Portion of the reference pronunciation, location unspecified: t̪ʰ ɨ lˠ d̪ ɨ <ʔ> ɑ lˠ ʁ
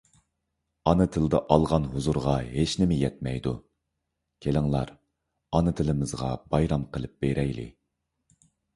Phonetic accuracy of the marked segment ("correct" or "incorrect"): correct